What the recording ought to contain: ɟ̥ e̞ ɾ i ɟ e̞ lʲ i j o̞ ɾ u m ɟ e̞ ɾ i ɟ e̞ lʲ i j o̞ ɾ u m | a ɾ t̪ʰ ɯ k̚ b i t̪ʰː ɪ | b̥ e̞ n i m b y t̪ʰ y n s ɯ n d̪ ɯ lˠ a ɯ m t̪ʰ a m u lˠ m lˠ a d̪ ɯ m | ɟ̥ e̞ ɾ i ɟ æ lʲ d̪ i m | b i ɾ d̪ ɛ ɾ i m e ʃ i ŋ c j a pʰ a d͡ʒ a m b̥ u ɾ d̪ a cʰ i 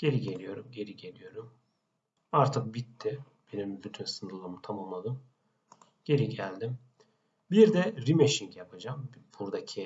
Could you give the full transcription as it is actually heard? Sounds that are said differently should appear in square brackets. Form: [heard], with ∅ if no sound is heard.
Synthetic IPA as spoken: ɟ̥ e̞ ɾ i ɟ e̞ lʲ i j o̞ ɾ u m ɟ e̞ ɾ i ɟ e̞ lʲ i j o̞ ɾ u m | a ɾ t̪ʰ ɯ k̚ b i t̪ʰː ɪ | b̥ e̞ n i m b y t̪ʰ y n s ɯ n d̪ ɯ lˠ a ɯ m t̪ʰ a m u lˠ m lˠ a d̪ ɯ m | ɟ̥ e̞ ɾ i ɟ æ lʲ d̪ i m | b i ɾ d̪ ɛ ɾ i m e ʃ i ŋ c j a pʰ a d͡ʒ a m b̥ u ɾ d̪ a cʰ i